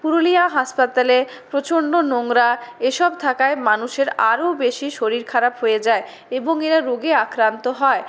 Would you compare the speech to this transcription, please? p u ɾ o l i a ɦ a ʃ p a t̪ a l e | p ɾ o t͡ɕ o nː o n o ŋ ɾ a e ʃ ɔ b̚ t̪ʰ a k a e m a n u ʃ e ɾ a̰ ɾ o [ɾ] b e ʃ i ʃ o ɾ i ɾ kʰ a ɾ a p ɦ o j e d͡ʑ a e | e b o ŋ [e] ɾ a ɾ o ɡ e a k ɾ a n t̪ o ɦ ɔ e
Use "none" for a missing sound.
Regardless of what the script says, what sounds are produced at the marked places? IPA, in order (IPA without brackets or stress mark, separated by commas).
none, e